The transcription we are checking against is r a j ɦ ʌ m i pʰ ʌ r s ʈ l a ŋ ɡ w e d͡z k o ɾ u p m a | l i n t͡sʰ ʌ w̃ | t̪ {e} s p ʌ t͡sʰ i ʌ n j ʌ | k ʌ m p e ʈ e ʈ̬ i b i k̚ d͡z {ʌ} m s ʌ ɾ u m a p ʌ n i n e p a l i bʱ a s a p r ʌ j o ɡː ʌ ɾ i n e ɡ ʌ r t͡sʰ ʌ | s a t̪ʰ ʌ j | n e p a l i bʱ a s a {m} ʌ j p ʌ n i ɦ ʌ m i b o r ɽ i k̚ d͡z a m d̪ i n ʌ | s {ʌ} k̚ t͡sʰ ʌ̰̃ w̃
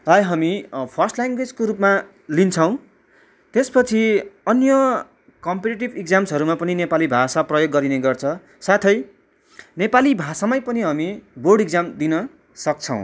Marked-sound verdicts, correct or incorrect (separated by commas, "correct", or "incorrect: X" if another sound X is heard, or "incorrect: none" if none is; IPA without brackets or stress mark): correct, incorrect: a, correct, correct